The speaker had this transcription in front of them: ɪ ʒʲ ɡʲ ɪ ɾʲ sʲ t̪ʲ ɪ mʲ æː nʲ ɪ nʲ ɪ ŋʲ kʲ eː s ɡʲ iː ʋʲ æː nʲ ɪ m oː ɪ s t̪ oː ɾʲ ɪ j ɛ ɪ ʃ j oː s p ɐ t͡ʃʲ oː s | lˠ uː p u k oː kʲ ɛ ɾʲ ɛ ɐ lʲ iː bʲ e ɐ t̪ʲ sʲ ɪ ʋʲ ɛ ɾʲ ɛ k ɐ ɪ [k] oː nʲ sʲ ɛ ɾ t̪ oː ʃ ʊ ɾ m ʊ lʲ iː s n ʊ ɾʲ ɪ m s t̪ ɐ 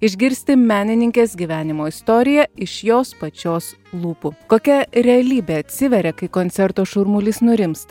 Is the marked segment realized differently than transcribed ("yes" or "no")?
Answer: no